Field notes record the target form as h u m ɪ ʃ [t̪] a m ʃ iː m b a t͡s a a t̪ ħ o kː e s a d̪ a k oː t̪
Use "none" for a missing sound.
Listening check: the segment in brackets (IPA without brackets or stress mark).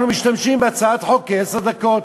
t̪